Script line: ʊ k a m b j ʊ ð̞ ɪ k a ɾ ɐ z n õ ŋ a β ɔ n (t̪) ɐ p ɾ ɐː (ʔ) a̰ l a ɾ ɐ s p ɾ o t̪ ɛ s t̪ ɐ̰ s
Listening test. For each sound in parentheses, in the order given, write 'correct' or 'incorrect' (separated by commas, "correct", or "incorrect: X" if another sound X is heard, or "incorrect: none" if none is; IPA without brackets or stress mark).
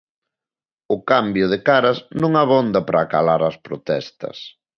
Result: incorrect: d̪, incorrect: k